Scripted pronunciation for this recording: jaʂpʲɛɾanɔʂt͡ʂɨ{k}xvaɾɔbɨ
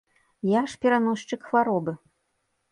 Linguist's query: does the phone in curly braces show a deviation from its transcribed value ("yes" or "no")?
no